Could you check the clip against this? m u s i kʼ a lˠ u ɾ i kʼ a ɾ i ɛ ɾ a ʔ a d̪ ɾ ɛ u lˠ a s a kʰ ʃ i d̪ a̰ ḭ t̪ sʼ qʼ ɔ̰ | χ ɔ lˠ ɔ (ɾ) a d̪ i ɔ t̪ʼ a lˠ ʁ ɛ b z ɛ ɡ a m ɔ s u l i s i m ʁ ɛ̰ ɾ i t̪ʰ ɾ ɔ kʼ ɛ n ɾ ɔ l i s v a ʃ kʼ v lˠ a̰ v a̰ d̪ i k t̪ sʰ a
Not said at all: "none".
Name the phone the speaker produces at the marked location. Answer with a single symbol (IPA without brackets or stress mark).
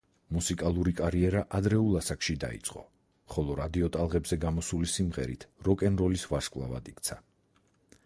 ɾ